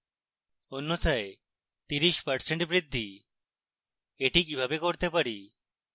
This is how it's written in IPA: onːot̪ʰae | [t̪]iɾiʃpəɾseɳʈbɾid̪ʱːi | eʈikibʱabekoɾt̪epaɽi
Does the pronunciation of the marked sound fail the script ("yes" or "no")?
no